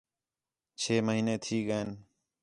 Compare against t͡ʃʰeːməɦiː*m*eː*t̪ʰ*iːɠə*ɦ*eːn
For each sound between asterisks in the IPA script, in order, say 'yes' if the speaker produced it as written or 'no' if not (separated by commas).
no, yes, no